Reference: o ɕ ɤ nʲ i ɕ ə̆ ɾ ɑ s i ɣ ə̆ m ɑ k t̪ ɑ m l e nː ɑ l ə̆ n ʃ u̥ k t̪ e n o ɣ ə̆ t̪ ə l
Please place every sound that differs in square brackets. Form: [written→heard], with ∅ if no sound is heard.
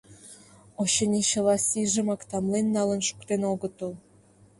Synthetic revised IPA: o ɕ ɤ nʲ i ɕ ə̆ [ɾ→l] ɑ s i [ɣ→ʒ] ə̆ m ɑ k t̪ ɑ m l e nː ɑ l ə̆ n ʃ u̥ k t̪ e n o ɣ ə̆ t̪ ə l